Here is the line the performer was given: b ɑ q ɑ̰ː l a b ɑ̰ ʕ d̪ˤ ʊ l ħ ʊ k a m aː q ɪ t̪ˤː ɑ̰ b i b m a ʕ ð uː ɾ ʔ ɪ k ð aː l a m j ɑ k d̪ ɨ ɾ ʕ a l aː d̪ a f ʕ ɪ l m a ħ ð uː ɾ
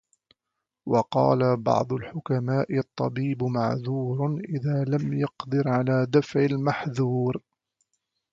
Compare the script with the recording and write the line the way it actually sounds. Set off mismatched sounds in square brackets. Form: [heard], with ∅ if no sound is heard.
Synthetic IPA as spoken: [w] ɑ q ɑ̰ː l a b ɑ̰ ʕ d̪ˤ ʊ l ħ ʊ k a m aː [ʔ] ɪ t̪ˤː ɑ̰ b [iː] b m a ʕ ð uː ɾ ʔ ɪ [∅] ð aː l a m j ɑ [q] d̪ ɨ ɾ ʕ a l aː d̪ a f ʕ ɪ l m a ħ ð uː ɾ